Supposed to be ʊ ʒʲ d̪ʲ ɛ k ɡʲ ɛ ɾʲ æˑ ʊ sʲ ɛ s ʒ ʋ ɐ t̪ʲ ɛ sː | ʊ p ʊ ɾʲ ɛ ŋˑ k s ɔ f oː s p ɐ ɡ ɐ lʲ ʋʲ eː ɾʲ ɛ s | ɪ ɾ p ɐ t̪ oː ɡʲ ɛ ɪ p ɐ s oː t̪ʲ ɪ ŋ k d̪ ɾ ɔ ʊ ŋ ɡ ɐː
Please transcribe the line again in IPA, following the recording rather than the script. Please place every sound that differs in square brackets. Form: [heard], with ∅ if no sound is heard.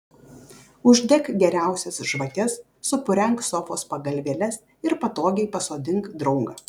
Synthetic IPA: ʊ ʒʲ d̪ʲ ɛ k ɡʲ ɛ ɾʲ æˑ ʊ sʲ ɛ s ʒ ʋ ɐ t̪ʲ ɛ sː | ʊ p ʊ ɾʲ ɛ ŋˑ k s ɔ f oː s p ɐ ɡ ɐ lʲ ʋʲ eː [lʲ] ɛ s | ɪ ɾ p ɐ t̪ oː ɡʲ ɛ ɪ p ɐ s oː [d̪ʲ] ɪ ŋ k d̪ ɾ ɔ ʊ ŋ ɡ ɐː